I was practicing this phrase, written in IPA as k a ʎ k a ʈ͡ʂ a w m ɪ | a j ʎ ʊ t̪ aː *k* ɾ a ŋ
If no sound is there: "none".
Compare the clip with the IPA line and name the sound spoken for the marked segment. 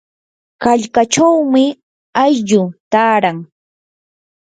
none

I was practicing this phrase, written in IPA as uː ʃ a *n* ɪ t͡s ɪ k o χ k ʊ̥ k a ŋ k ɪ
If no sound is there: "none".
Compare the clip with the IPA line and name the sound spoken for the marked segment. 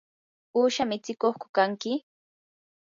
m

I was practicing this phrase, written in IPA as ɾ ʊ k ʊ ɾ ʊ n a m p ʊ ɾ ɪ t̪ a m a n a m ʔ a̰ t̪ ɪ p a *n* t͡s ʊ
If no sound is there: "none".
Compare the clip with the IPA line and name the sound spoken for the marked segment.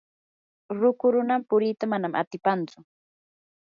n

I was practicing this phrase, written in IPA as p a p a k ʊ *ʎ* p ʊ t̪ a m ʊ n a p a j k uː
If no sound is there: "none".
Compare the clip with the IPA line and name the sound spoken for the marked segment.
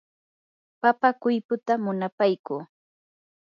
j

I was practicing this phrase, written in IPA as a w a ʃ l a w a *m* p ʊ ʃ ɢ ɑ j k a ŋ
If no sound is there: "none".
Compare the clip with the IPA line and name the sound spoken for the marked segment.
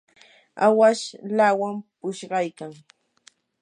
m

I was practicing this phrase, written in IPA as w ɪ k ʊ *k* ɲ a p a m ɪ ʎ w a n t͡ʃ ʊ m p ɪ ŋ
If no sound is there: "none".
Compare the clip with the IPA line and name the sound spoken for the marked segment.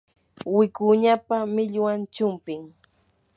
none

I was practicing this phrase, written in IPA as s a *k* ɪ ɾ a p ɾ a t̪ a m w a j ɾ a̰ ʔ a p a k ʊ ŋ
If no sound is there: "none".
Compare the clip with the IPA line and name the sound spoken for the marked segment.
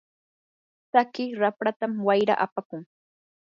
k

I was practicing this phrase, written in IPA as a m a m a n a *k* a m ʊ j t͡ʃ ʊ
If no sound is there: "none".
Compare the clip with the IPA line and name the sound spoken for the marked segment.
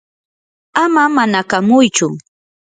k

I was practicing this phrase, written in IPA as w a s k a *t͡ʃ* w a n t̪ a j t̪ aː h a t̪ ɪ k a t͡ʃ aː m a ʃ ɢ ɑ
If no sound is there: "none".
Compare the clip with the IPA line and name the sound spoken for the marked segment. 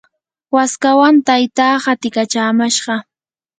none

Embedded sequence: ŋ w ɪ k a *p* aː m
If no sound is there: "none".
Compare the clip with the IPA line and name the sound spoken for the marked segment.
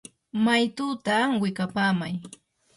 p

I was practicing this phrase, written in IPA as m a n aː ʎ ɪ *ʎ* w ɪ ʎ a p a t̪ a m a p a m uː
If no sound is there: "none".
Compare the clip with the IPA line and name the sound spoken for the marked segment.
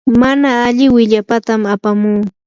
none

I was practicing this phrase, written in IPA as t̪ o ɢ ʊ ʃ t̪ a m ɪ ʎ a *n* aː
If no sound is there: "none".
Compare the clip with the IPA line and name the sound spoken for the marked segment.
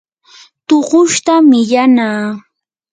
n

